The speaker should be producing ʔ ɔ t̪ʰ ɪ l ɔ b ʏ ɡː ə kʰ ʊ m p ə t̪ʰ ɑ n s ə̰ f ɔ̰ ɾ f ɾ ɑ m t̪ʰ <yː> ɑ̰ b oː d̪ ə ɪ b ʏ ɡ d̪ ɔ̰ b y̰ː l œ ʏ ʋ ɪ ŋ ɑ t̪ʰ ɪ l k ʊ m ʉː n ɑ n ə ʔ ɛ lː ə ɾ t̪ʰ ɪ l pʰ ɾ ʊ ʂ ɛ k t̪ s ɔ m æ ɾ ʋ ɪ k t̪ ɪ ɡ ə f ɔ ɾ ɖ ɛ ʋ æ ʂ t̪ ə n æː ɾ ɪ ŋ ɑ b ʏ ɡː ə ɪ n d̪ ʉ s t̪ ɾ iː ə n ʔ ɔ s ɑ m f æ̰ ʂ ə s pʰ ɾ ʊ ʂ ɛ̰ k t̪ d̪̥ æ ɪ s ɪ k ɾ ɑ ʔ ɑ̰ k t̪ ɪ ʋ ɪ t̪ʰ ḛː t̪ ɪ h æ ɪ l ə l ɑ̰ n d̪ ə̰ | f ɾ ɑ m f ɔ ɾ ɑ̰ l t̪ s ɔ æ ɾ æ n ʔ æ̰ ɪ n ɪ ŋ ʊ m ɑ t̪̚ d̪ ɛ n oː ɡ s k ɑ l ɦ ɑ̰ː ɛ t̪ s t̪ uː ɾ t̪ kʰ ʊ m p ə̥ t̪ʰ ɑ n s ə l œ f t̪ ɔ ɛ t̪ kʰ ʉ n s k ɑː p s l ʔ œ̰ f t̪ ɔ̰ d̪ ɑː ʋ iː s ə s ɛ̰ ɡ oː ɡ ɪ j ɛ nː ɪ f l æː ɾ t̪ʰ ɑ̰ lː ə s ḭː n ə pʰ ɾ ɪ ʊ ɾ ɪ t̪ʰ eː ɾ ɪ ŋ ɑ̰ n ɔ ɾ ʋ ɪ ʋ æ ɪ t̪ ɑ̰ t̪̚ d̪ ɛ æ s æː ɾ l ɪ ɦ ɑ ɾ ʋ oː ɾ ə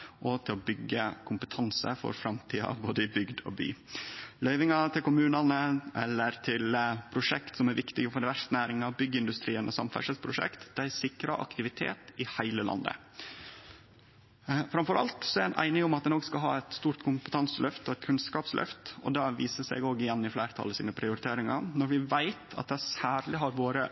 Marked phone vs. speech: incorrect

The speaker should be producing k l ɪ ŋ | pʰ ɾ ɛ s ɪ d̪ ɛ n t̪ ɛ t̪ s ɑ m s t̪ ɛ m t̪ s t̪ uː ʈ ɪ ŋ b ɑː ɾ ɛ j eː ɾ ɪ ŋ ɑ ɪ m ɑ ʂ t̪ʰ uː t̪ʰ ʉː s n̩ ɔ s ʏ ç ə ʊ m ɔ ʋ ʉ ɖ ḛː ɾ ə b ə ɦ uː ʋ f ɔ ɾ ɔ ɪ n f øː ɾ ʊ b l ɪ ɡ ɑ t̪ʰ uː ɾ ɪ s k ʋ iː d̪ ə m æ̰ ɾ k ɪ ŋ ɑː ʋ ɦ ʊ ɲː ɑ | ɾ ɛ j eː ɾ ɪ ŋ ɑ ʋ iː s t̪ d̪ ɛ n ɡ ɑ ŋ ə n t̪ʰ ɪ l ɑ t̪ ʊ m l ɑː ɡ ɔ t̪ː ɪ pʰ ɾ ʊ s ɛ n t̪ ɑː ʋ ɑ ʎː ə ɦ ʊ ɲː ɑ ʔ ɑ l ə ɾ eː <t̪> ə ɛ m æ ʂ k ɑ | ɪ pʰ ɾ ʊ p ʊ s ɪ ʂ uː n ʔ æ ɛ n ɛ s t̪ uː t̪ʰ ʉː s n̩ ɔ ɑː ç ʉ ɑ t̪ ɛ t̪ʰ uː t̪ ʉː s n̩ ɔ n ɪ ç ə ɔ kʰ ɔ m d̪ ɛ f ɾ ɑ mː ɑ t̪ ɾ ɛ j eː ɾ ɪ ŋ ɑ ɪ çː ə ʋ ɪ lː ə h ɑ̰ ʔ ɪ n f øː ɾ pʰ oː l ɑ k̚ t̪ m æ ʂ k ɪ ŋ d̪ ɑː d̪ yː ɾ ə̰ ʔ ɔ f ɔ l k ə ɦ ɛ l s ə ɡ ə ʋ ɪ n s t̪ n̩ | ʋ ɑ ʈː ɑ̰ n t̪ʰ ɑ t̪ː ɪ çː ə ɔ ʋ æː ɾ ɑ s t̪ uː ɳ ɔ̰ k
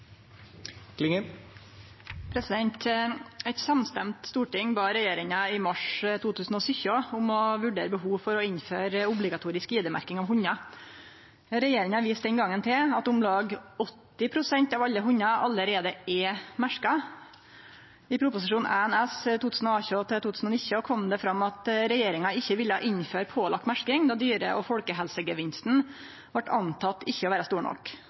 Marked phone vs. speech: incorrect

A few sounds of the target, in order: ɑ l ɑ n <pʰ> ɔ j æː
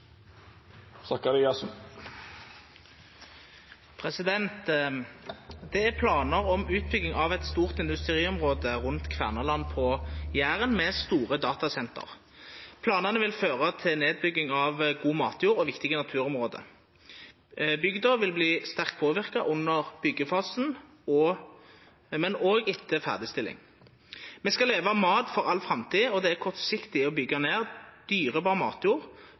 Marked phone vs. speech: correct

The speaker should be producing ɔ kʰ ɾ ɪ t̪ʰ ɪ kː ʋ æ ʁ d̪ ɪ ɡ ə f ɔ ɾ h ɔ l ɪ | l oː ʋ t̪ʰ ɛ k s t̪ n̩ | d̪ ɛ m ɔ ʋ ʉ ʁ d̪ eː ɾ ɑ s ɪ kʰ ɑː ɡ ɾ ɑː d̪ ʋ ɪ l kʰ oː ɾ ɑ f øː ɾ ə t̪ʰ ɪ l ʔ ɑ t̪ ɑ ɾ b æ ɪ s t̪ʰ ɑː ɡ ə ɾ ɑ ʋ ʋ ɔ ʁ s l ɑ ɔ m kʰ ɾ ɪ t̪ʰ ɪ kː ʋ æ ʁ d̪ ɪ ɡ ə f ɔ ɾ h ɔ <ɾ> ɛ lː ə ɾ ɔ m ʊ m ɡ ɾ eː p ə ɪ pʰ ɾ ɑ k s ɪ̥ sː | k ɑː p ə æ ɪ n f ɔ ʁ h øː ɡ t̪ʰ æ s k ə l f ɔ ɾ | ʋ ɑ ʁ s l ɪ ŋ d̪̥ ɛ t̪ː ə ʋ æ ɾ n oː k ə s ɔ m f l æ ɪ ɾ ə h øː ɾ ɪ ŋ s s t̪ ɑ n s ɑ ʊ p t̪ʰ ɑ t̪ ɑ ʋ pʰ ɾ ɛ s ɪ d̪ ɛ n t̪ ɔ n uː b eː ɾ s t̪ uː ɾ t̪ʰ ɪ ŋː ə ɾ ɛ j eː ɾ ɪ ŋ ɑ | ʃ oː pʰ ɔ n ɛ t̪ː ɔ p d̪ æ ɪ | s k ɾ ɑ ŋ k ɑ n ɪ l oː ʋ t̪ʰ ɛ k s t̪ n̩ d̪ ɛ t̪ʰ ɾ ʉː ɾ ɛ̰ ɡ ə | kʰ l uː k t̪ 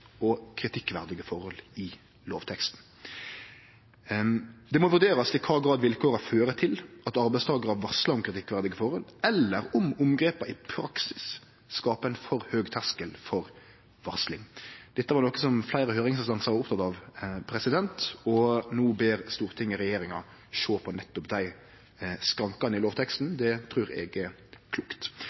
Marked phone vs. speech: incorrect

